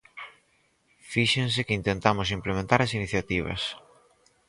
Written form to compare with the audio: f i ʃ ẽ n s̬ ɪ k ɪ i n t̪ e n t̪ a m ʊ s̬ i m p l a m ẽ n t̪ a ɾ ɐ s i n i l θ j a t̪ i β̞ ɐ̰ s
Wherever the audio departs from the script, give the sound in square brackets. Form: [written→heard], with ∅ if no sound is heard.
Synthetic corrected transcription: f i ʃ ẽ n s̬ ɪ k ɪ i n t̪ e n t̪ a m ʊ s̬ i m p l [a→e] m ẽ n t̪ a ɾ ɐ s i n i [l→∅] θ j a t̪ i β̞ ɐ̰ s